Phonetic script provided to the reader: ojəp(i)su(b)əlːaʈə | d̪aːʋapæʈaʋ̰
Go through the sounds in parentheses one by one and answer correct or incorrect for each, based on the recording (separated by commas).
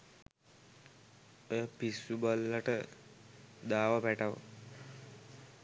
correct, correct